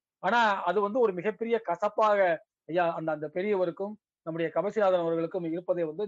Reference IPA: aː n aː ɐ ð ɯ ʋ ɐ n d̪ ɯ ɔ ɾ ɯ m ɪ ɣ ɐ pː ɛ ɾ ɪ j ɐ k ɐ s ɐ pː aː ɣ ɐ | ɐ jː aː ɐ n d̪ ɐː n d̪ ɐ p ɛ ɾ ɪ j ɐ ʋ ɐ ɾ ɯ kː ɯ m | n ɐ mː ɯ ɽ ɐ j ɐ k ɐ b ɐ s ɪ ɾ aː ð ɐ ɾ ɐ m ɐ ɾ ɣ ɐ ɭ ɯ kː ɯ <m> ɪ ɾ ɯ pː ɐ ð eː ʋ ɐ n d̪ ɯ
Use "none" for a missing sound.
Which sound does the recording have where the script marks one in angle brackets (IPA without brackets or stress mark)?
m